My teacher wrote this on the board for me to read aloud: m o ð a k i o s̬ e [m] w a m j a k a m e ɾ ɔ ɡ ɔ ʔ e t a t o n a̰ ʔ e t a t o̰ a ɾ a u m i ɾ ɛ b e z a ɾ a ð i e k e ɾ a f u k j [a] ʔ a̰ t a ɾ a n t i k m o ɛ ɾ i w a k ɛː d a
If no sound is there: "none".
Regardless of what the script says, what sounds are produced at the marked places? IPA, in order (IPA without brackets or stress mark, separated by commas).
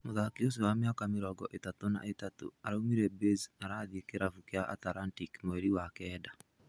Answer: none, a